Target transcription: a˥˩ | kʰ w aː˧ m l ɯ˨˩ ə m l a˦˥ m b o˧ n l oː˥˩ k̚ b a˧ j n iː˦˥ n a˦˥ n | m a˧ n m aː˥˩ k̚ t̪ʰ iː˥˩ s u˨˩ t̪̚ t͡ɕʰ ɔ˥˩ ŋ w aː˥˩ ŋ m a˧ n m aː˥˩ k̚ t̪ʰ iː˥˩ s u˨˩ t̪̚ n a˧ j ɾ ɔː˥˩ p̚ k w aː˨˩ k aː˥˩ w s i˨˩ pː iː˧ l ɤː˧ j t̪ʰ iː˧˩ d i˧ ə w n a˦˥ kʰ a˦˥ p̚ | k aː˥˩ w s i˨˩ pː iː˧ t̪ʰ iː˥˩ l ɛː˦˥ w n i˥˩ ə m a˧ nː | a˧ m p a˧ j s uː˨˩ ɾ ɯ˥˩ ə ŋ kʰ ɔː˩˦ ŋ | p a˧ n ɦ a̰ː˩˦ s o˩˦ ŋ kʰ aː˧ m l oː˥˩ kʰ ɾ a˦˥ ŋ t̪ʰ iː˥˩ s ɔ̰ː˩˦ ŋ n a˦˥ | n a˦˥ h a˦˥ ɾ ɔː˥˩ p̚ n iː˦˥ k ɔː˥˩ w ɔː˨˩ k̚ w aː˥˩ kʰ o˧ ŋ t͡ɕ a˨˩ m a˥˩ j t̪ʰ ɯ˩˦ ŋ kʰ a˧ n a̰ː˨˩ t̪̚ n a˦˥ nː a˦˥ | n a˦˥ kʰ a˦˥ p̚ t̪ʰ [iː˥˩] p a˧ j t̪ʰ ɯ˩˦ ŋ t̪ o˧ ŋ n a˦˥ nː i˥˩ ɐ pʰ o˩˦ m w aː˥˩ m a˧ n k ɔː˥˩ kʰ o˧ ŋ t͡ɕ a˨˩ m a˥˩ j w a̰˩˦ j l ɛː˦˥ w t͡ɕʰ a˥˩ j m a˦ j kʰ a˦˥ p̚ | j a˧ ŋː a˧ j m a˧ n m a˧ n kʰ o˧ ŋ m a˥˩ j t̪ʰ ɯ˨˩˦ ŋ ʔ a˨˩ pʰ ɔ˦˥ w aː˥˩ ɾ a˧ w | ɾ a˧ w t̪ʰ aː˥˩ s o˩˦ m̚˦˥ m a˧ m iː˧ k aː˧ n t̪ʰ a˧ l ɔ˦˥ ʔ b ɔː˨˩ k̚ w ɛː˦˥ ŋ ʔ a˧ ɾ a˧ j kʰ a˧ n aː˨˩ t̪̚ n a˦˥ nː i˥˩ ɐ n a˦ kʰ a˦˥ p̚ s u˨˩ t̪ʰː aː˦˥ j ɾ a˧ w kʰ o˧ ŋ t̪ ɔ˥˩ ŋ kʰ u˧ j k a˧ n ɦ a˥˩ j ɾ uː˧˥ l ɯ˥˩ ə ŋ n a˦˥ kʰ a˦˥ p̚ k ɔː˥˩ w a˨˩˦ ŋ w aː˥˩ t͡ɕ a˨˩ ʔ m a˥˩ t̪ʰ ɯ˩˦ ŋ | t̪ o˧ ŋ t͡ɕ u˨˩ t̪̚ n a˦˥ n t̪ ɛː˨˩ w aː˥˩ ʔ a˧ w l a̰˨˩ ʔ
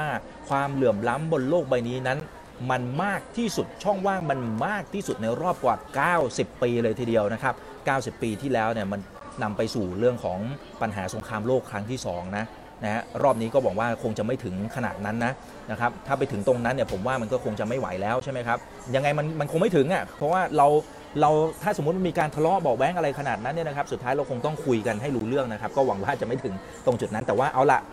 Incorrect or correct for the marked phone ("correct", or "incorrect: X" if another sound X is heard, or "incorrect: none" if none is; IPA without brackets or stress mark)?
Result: incorrect: aː˥˩